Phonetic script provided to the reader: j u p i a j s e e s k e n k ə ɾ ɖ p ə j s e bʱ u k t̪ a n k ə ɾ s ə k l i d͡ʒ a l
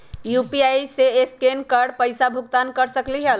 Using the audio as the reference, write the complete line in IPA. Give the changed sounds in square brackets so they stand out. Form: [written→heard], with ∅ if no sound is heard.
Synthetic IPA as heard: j u p i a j s e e s k e n k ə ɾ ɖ p ə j s [e→a] bʱ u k t̪ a n k ə ɾ s ə k l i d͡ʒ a l